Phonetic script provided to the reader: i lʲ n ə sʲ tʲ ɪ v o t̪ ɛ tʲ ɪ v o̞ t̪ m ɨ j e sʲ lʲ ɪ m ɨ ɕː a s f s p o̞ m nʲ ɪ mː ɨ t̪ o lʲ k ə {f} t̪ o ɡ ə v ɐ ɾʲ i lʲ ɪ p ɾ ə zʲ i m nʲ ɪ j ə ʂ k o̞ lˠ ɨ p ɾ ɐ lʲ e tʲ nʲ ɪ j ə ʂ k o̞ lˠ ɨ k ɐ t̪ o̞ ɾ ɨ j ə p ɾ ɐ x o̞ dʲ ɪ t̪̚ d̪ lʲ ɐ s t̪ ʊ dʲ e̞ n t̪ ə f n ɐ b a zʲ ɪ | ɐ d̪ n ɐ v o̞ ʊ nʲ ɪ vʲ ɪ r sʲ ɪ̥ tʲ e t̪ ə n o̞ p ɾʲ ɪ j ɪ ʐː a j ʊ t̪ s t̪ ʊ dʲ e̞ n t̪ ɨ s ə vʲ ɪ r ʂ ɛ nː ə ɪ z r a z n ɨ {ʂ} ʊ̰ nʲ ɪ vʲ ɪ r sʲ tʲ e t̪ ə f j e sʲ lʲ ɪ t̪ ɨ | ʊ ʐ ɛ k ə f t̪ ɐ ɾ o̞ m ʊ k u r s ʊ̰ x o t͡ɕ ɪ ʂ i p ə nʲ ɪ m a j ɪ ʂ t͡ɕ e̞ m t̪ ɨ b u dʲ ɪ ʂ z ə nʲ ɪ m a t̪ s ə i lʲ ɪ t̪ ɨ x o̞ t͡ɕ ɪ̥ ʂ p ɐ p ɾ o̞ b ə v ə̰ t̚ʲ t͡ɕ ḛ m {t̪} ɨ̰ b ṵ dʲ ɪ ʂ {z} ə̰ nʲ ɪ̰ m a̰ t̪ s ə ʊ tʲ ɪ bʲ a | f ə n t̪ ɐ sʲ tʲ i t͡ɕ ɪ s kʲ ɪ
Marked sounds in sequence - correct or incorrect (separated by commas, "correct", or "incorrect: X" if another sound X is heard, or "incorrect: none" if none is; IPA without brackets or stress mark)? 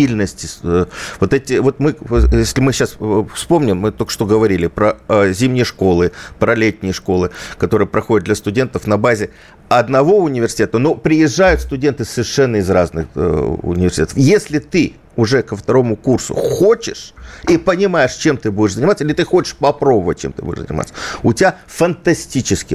incorrect: ʂ, incorrect: x, correct, correct